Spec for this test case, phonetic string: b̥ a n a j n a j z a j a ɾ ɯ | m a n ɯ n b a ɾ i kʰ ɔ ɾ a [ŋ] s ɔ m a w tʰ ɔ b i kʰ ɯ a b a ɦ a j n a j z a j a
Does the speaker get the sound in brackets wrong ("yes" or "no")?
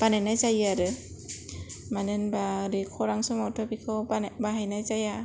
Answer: no